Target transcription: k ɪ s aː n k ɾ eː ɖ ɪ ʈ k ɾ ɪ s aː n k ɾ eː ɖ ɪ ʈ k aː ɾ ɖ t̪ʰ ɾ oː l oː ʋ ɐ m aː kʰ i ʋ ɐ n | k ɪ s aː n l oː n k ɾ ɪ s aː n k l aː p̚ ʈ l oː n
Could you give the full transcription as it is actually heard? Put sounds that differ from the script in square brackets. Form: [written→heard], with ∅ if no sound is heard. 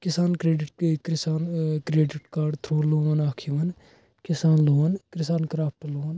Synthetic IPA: k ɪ s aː n k ɾ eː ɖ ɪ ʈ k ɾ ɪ s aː n k ɾ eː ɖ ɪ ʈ k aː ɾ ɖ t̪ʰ ɾ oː l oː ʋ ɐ [m→n] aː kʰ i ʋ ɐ n | k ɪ s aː n l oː n k ɾ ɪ s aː n k [l→ɾ] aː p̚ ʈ l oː n